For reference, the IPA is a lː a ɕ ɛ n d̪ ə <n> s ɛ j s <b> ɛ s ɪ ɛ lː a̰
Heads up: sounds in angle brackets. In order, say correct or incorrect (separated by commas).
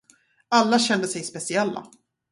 incorrect, incorrect